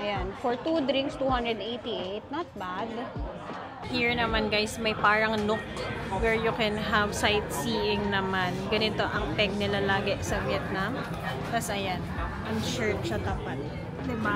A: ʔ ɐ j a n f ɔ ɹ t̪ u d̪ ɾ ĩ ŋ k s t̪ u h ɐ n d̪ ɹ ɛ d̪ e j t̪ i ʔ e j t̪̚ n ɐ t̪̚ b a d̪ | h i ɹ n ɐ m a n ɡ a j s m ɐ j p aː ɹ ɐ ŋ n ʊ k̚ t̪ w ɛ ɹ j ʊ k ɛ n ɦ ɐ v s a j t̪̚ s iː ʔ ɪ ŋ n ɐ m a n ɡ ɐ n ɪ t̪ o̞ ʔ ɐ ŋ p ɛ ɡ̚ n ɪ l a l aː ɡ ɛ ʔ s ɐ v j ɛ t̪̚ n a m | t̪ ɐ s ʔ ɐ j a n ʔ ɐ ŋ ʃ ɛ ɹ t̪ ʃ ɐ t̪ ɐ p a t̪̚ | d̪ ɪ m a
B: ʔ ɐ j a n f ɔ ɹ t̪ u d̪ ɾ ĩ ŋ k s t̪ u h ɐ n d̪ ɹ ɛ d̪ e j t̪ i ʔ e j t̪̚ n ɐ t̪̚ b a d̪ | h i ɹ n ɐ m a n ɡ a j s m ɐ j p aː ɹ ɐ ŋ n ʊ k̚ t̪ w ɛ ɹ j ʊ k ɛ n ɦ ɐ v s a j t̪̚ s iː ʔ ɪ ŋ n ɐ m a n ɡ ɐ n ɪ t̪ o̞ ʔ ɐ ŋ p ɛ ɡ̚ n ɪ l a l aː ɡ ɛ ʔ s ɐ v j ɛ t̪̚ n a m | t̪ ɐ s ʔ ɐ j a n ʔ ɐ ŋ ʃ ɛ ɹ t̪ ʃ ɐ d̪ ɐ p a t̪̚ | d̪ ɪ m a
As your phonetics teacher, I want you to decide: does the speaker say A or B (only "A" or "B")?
A